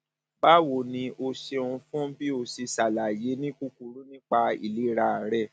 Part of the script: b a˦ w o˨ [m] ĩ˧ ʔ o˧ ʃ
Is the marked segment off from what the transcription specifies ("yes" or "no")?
yes